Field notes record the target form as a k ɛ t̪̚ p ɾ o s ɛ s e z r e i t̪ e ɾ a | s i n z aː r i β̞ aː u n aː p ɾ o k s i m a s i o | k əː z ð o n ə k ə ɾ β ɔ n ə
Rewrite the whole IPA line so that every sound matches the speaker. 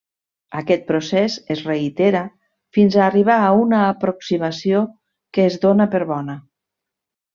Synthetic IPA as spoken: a k ɛ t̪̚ p ɾ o s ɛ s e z r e i t̪ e ɾ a | f i n z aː r i β̞ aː u n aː p ɾ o k s i m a s i o | k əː z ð o n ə p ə ɾ β ɔ n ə